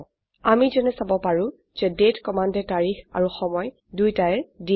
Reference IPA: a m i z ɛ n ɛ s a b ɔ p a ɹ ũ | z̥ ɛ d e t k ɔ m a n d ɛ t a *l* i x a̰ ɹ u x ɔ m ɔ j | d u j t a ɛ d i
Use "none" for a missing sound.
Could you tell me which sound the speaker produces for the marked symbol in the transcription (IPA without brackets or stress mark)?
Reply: ɹ